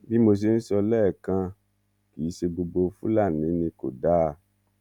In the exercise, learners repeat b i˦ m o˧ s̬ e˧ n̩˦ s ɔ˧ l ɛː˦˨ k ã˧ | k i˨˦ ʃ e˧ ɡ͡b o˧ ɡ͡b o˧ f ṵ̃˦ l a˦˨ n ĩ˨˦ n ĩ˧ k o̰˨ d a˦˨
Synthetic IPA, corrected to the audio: b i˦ m o˧ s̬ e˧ n̩˦ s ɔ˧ l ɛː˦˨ k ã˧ | k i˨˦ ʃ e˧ ɡ͡b o˧ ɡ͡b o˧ f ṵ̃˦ l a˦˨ n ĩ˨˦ n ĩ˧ k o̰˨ d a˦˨